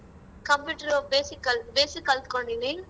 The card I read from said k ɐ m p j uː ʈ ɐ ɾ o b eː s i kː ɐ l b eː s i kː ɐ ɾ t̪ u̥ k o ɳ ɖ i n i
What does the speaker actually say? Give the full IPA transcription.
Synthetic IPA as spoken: k ɐ m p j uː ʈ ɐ ɾ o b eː s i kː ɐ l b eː s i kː ɐ l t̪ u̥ k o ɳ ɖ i n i